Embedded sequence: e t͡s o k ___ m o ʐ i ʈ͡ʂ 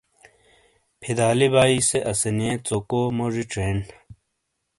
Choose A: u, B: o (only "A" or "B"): B